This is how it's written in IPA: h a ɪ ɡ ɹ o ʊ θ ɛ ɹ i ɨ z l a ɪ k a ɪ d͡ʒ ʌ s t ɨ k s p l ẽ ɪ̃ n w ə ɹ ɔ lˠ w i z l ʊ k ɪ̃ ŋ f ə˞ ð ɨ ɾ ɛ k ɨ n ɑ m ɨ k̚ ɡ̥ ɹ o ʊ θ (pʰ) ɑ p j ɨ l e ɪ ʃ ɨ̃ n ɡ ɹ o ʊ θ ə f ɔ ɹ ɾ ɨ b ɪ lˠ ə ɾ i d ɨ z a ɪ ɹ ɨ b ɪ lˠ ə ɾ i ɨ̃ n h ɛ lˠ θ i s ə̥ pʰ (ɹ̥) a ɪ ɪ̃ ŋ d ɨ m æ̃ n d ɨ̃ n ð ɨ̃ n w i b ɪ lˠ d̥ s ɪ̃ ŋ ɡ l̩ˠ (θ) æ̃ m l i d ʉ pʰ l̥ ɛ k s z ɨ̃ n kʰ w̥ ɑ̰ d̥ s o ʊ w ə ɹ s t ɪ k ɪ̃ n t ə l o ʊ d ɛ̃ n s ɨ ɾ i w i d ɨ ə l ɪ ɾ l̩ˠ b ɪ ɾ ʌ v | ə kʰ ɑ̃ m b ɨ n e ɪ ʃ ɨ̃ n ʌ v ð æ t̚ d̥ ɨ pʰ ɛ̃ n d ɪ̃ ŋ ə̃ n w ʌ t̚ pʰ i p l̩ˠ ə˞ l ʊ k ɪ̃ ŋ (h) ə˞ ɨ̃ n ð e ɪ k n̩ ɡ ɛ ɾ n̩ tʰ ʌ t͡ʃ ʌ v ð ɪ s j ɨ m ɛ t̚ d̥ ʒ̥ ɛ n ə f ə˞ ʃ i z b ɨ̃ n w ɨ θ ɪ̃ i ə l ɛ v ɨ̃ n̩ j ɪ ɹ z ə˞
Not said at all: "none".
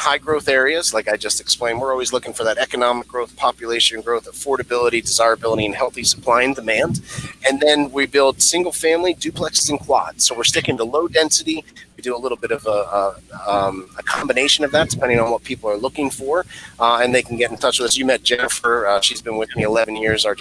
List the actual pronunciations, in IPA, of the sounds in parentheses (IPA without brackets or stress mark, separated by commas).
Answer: pʰ, l̥, f, f